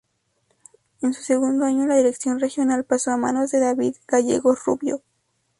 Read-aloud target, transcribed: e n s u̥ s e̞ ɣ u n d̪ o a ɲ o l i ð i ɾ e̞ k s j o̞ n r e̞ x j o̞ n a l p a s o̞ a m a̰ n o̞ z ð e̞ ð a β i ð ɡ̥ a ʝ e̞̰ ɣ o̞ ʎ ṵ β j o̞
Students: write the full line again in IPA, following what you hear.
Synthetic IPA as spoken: e n s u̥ s e̞ ɣ u n d̪ o a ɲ o l a ð i ɾ e̞ k s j o̞ n r e̞ x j o̞ n a l p a s o̞ a m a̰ n o̞ z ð e̞ ð a β i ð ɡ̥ a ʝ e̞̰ ɣ o̞ r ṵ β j o̞